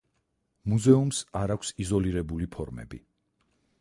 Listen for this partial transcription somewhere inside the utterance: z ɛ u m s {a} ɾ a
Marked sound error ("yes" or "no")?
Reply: no